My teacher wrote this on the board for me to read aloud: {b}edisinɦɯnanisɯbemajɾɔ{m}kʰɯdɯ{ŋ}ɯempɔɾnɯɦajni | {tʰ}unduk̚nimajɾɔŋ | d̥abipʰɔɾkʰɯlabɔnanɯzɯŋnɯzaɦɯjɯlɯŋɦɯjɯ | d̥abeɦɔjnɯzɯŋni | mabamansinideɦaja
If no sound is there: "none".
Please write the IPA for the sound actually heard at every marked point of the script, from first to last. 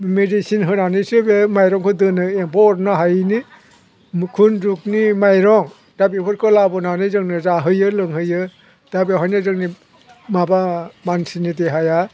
m, ŋ, n, kʰ

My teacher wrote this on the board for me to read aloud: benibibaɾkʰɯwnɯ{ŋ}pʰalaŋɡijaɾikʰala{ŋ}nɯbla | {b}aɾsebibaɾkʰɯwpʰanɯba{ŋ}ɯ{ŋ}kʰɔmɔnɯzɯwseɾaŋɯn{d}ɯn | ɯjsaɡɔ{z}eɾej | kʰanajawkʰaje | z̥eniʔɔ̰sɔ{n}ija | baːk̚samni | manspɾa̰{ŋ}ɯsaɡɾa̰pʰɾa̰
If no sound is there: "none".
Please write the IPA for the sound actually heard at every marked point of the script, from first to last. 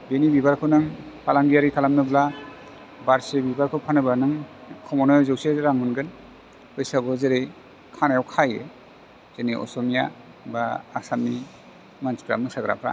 ŋ, m, b, n, ŋ, ɡ, z, m, m

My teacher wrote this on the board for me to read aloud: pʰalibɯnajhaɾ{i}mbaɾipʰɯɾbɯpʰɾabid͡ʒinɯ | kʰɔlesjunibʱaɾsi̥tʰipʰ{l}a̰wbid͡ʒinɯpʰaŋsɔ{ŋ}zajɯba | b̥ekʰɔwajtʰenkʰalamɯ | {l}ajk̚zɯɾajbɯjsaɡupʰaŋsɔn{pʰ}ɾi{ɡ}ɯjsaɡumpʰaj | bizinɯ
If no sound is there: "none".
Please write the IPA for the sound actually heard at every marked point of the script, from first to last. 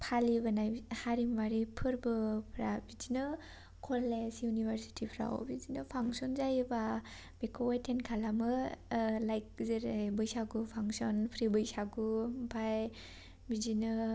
i, ɾ, n, l, pʰ, b

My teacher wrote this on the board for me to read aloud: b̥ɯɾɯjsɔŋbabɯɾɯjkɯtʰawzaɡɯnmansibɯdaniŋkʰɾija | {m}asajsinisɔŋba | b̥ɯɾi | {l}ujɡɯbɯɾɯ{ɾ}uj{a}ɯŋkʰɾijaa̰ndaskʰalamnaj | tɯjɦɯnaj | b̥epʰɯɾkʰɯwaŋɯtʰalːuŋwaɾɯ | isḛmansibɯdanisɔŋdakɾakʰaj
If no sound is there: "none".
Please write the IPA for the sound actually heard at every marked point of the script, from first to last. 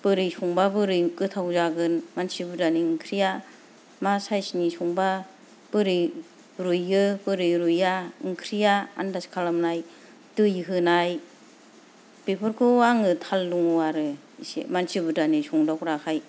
m, ɾ, ɾ, a

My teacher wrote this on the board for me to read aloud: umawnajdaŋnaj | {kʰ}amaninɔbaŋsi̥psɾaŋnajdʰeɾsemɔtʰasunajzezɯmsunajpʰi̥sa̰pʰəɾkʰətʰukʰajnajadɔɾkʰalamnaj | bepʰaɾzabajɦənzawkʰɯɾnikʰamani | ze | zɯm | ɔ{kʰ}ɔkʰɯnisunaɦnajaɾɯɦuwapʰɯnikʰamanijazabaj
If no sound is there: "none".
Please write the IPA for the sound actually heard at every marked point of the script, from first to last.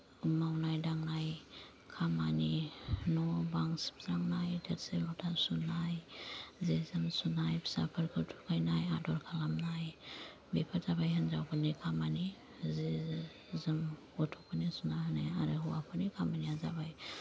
kʰ, tʰ

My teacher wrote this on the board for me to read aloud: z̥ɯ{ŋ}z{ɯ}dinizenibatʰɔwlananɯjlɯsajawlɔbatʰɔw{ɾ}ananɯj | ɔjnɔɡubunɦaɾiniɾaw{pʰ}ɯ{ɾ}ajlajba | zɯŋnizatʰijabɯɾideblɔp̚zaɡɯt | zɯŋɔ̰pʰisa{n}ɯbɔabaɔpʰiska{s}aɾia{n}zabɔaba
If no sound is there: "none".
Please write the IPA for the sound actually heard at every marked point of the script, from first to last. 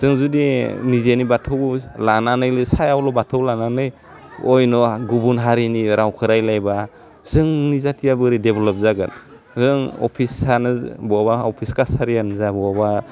ŋ, u, l, kʰ, ɾ, n, s, n

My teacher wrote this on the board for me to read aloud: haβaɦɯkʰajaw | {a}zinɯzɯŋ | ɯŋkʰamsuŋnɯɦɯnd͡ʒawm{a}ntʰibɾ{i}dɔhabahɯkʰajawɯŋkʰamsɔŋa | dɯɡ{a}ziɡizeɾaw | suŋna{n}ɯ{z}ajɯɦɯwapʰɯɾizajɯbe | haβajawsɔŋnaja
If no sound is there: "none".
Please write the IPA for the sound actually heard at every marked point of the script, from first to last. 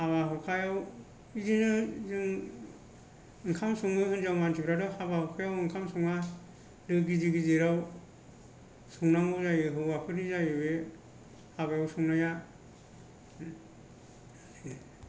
i, a, a, i, ŋ, z

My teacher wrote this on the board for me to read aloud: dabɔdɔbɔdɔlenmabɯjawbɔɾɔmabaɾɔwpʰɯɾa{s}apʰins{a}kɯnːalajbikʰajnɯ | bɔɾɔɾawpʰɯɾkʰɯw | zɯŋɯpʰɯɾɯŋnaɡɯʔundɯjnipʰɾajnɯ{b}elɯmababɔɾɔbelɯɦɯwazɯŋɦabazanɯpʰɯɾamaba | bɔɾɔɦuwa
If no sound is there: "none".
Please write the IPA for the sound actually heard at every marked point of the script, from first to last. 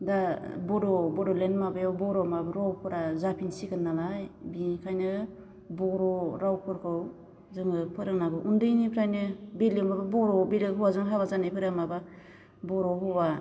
z, i, b

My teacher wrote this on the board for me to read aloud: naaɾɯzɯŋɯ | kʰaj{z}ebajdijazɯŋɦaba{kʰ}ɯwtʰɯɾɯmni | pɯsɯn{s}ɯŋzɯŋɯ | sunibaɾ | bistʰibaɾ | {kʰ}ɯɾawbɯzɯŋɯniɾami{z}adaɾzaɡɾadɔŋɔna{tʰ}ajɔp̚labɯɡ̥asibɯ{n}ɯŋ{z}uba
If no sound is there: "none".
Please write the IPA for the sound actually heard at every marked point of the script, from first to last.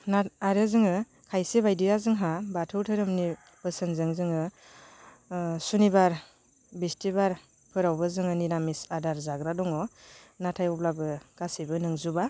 s, tʰ, z, pʰ, s, tʰ, n, z

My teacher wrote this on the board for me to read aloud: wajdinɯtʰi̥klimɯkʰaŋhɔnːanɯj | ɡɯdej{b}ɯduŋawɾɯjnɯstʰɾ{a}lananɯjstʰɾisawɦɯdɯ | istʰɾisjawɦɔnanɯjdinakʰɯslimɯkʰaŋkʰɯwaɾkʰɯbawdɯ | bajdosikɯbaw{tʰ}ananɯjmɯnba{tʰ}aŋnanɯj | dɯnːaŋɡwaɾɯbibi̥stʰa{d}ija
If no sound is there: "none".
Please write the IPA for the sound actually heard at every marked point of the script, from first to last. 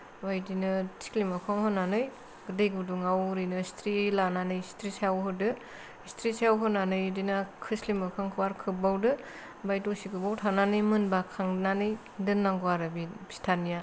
ɡ, i, tʰ, kʰ, n

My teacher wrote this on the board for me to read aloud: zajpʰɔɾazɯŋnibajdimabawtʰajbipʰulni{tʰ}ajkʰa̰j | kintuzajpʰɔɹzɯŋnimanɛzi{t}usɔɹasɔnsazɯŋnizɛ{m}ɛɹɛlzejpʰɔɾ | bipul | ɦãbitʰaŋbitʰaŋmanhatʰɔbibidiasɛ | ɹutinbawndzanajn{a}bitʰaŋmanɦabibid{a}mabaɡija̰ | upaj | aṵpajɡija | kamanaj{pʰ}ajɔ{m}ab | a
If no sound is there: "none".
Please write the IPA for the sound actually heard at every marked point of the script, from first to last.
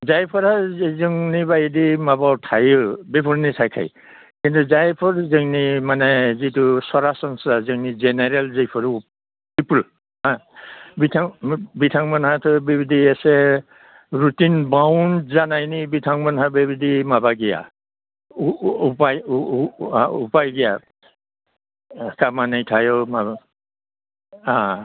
tʰ, t, n, i, i, tʰ, m

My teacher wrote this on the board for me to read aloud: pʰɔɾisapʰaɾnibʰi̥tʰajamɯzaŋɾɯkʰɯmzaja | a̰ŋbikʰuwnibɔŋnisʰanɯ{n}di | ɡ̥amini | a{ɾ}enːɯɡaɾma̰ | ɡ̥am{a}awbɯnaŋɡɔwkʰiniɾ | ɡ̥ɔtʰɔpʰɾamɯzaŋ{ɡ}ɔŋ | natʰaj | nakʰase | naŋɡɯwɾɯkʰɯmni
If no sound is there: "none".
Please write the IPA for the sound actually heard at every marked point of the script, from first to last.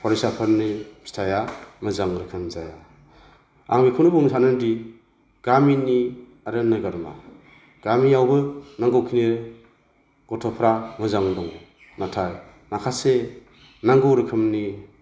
n, ɾ, i, d

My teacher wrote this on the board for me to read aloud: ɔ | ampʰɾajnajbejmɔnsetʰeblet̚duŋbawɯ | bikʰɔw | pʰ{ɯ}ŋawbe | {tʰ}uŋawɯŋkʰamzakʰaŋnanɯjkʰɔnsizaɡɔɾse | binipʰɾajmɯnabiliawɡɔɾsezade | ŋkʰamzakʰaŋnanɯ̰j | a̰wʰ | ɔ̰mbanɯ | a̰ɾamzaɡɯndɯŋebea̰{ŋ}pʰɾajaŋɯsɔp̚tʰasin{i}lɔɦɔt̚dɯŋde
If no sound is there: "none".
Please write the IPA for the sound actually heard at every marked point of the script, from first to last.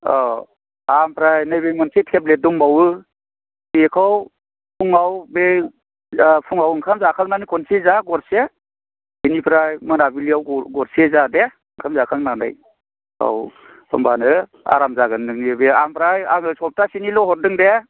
u, pʰ, m, i

